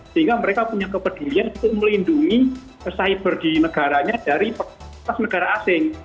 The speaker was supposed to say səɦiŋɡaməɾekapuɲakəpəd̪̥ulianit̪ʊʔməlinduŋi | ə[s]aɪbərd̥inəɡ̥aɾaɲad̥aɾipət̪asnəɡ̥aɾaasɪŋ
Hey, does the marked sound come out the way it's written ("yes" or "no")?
yes